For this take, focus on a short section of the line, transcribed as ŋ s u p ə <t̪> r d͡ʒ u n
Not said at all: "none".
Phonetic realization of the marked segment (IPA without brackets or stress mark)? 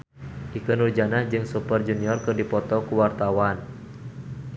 none